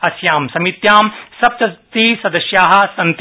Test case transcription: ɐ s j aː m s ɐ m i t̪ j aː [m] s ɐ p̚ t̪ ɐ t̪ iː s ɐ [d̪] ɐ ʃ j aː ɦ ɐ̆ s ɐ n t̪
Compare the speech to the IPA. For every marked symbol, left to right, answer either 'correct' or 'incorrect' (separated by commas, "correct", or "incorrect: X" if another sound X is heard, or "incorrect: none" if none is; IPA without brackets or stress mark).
correct, correct